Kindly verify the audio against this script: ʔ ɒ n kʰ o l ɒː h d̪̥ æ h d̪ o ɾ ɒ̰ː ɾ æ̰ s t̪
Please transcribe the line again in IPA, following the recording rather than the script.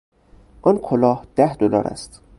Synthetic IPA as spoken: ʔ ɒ n kʰ o l ɒː h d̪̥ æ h d̪ o l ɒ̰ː ɾ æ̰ s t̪

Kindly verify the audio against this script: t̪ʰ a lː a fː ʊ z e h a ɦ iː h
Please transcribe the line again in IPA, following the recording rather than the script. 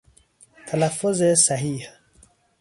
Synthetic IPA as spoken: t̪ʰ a l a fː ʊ z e s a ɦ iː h

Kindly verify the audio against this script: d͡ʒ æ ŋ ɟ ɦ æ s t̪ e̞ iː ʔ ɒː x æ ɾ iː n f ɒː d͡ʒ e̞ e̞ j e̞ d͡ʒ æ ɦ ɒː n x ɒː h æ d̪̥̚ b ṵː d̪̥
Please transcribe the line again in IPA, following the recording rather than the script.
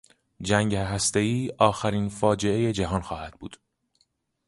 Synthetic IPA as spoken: d͡ʒ æ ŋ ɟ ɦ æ s t̪ e̞ iː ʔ ɒː x æ ɾ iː n f ɒː d͡ʒ e̞ e̞ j e̞ d͡ʒ æ ɦ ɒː n x ɒː h æ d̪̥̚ b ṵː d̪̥

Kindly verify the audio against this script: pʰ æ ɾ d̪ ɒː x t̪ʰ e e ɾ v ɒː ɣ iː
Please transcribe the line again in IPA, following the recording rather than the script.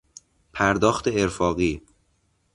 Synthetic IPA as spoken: pʰ æ ɾ d̪ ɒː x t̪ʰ e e ɾ f ɒː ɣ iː

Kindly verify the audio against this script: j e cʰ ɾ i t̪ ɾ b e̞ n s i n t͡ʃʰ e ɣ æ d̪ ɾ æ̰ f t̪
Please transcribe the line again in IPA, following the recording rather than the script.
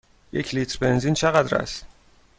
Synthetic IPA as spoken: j e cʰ l i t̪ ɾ b e̞ n z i n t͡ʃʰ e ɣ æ d̪ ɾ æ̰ s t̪

